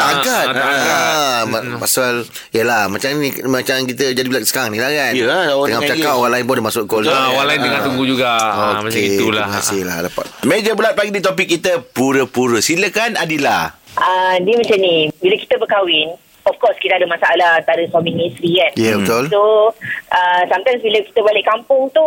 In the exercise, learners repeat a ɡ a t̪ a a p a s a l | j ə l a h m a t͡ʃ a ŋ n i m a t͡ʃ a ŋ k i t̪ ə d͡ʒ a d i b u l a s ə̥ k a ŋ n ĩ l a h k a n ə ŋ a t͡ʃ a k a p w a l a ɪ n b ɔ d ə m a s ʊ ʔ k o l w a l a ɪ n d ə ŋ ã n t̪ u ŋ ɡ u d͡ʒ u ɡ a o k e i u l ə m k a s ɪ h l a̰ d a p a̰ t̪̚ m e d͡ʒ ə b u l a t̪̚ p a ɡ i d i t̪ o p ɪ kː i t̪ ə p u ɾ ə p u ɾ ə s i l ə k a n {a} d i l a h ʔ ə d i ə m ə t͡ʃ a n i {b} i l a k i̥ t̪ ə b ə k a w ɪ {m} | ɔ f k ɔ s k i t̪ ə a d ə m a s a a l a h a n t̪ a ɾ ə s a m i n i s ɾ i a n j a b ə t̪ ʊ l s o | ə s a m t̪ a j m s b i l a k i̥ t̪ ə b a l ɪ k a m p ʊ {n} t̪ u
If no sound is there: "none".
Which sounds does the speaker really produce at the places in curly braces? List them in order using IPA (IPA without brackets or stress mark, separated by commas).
a, b, n, ŋ